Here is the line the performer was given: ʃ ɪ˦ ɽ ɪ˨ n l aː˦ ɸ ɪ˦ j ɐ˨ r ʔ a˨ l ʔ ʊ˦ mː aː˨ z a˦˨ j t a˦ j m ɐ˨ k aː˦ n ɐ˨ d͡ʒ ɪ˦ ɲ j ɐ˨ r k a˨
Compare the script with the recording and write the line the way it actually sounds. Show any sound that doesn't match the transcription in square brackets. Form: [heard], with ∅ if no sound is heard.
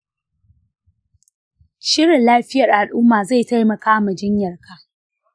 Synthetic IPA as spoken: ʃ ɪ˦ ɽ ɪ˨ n l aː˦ ɸ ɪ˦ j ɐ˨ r ʔ a˨ l ʔ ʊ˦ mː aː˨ z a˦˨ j t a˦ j m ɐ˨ k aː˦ [m] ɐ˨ d͡ʒ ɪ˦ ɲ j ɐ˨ r k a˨